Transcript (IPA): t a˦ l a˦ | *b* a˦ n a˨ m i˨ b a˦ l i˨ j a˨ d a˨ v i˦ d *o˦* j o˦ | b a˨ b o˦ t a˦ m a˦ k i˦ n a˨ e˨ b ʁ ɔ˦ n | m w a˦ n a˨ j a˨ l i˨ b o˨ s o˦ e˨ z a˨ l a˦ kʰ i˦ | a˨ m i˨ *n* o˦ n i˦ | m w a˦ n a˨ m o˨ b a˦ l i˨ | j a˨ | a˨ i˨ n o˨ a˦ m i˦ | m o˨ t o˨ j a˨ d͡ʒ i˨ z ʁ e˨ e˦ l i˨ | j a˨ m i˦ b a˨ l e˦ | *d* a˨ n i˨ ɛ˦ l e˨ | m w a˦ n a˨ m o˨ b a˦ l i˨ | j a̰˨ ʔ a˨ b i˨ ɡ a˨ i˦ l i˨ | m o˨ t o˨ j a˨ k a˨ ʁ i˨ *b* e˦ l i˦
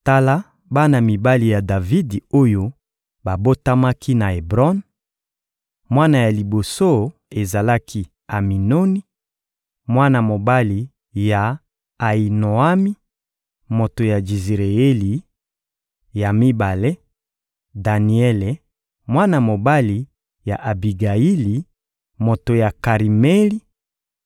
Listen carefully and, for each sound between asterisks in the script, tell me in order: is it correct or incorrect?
correct, correct, correct, correct, incorrect: m

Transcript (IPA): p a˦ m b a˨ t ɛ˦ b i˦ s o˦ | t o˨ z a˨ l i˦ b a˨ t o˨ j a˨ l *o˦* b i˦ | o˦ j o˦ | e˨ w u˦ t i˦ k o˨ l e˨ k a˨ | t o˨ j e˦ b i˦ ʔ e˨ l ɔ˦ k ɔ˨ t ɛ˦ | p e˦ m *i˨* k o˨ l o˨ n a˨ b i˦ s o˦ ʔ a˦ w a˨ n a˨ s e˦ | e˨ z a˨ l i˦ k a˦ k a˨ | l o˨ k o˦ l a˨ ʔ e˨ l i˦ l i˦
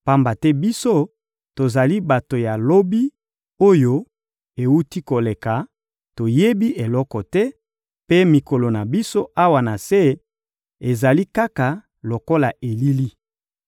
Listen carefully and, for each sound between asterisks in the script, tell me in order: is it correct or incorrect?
correct, correct

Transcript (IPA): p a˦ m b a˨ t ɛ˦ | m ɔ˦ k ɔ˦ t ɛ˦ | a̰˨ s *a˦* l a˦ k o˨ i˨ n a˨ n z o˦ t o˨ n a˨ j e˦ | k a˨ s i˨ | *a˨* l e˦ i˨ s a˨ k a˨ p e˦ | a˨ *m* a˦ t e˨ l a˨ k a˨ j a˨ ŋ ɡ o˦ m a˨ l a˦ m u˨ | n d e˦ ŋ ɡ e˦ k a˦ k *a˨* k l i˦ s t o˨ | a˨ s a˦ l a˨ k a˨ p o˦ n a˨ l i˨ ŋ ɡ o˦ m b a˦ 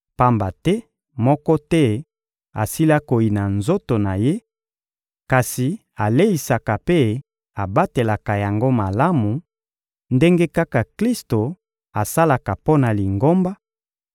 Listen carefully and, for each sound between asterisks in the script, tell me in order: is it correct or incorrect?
incorrect: i˦, correct, incorrect: b, correct

